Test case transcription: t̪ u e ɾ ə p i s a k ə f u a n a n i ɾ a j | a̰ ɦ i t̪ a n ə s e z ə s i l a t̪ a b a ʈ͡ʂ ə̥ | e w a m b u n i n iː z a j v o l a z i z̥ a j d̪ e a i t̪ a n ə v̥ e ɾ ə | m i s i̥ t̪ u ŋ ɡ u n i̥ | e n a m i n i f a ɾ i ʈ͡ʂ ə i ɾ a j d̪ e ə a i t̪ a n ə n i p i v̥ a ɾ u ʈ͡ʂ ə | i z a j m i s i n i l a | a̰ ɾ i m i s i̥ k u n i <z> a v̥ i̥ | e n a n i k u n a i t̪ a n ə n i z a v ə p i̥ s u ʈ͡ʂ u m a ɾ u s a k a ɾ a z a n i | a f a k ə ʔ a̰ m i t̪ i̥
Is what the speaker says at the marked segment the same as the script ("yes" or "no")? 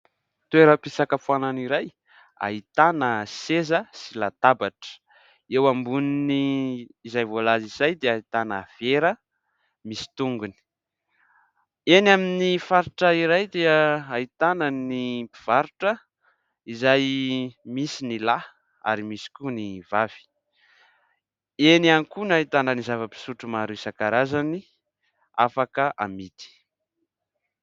no